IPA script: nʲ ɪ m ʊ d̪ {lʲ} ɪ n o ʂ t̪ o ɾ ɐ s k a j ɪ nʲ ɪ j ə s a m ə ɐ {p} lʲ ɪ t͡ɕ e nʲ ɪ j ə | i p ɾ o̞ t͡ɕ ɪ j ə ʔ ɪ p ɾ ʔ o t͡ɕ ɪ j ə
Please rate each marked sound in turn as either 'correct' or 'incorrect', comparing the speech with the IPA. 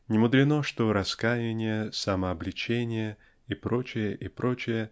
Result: incorrect: ɾʲ, incorrect: b

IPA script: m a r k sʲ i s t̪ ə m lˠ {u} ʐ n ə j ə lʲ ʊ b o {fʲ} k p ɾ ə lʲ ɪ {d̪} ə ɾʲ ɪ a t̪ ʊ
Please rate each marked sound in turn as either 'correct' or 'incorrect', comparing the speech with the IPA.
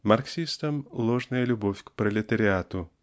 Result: incorrect: o, correct, incorrect: t̪

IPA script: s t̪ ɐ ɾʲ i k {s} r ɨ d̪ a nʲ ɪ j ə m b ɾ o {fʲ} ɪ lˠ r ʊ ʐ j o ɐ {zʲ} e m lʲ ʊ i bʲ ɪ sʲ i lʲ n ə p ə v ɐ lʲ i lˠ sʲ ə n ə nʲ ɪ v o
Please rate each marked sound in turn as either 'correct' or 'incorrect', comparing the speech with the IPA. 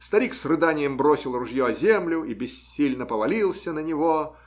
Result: correct, incorrect: sʲ, correct

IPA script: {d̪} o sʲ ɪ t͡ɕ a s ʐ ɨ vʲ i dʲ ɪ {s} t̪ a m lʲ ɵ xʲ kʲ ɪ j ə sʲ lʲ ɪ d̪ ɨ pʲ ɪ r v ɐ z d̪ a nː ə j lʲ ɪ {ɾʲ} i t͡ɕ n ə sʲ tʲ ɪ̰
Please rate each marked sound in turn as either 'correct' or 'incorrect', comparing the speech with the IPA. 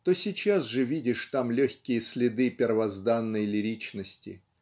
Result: incorrect: t̪, incorrect: ʂ, correct

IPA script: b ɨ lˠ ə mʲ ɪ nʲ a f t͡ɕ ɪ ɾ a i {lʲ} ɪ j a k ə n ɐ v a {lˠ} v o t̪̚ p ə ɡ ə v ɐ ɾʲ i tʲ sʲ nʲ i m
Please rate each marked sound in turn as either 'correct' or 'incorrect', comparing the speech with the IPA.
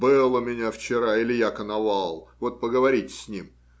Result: correct, correct

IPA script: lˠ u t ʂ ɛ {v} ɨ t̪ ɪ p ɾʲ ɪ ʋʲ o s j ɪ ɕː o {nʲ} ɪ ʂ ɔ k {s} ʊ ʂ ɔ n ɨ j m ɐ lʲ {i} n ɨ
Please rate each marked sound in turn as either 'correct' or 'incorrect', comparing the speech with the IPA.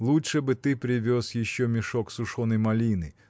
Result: incorrect: b, incorrect: mʲ, correct, correct

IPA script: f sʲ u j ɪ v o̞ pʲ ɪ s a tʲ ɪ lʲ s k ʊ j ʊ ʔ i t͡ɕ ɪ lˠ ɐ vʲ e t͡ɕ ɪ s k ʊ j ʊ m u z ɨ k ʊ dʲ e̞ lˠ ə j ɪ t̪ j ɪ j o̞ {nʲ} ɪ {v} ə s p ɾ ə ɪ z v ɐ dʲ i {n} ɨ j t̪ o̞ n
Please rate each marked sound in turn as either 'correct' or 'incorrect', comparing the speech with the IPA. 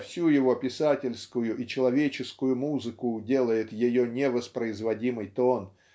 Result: correct, correct, incorrect: m

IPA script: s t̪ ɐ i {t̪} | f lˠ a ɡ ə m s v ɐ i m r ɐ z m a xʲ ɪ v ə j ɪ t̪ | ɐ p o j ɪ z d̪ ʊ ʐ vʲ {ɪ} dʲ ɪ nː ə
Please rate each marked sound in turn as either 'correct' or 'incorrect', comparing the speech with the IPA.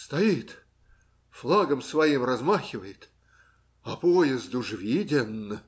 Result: correct, incorrect: i

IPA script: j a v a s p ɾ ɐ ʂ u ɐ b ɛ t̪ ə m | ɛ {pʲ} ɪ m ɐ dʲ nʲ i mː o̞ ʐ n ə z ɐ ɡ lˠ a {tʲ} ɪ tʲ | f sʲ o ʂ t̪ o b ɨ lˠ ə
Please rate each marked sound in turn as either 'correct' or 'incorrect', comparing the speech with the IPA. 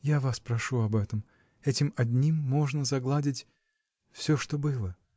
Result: incorrect: tʲ, incorrect: dʲ

